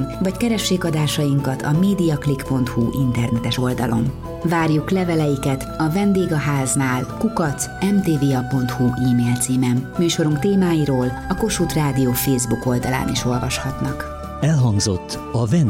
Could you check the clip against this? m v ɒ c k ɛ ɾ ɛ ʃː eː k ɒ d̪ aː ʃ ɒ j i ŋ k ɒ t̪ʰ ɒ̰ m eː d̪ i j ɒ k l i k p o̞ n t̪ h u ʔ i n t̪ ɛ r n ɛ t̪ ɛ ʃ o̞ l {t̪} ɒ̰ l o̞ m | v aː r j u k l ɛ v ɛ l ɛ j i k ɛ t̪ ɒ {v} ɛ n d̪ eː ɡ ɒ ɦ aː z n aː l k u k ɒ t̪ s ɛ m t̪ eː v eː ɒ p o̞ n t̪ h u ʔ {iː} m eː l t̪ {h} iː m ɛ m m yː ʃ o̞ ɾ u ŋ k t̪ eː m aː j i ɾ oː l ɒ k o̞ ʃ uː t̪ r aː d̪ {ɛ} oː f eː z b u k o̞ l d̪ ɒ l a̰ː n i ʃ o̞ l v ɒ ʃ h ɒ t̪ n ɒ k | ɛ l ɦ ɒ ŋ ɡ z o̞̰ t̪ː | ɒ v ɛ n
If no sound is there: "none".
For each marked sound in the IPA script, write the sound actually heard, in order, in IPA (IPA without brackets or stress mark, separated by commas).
d̪, v, iː, s, i